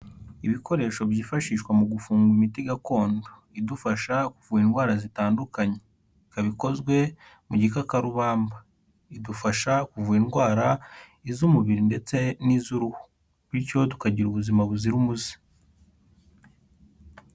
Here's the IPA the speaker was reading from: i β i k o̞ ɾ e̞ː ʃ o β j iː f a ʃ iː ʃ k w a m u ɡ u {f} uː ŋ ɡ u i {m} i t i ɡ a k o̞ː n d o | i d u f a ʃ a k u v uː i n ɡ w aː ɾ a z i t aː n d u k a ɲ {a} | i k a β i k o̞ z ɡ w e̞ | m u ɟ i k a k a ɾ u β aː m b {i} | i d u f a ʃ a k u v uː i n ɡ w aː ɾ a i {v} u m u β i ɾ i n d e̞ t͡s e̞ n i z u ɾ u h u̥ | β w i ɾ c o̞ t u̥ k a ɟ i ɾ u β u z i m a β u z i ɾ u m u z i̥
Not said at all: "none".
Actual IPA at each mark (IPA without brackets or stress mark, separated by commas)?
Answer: f, m, e, a, z